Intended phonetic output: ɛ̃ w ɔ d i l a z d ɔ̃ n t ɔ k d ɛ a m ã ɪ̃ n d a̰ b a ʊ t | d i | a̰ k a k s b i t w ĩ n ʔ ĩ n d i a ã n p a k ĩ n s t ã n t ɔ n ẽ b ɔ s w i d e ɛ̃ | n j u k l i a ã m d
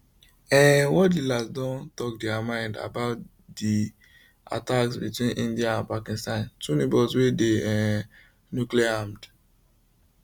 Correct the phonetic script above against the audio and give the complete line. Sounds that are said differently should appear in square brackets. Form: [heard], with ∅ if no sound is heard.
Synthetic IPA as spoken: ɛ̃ w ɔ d i l a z d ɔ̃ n t ɔ k d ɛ a m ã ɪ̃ n d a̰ b a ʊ t | d i | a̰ [t] a k s b i t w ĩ n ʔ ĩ n d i a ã n p a k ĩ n s t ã n t [u] n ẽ b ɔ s w [e] d e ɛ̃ | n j u k l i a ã m d